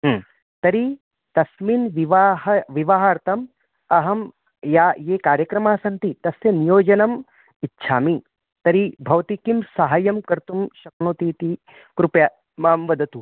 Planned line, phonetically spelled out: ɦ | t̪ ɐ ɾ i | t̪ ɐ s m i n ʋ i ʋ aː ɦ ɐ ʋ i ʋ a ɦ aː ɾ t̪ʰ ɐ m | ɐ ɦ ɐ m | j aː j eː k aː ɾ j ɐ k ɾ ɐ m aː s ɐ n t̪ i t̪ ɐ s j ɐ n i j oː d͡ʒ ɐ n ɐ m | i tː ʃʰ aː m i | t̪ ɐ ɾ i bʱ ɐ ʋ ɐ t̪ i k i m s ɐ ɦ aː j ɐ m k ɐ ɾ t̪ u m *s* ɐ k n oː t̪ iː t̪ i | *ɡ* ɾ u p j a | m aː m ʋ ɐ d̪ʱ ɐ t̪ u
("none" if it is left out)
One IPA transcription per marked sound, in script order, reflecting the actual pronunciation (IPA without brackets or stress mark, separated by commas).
ʃ, k